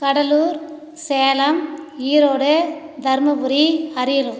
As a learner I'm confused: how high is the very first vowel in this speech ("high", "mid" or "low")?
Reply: low